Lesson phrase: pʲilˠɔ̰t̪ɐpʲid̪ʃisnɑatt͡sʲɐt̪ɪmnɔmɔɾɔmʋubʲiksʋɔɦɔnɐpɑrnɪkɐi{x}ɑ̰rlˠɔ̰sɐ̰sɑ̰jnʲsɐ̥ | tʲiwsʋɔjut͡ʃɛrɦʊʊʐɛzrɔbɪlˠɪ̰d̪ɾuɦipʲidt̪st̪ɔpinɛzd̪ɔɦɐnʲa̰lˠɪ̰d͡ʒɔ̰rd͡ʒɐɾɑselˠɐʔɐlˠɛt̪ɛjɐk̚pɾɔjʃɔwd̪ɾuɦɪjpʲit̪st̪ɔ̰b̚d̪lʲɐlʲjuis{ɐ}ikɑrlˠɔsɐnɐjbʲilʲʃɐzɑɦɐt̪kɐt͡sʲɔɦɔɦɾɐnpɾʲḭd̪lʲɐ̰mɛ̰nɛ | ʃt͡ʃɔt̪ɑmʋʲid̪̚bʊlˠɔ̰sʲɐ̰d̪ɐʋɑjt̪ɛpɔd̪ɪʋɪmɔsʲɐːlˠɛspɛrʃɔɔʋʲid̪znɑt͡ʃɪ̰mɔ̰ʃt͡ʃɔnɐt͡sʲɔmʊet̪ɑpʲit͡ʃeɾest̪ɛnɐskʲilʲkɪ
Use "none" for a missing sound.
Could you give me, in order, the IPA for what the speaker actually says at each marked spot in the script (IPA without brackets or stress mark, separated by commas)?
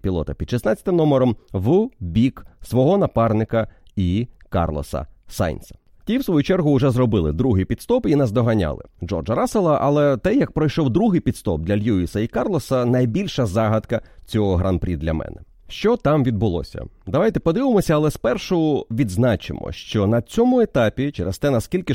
k, ɐ